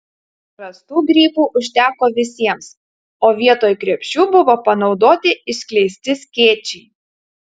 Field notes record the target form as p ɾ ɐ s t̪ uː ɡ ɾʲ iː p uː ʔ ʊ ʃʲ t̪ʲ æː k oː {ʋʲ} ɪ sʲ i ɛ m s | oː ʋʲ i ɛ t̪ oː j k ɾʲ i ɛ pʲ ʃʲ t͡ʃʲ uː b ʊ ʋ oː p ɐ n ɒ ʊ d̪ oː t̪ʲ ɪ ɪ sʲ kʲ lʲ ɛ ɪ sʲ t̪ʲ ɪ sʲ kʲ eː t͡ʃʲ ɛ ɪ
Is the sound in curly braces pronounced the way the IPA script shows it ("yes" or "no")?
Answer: yes